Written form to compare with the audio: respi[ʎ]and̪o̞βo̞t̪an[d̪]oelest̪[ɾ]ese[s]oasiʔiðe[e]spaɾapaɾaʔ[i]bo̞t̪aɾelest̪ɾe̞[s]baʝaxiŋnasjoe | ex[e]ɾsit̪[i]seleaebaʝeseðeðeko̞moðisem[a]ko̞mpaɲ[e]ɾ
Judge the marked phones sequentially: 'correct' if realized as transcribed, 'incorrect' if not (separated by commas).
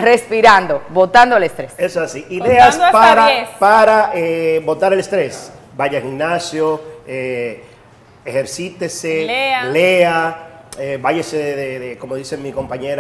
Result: incorrect, correct, correct, correct, incorrect, incorrect, correct, correct, incorrect, incorrect, correct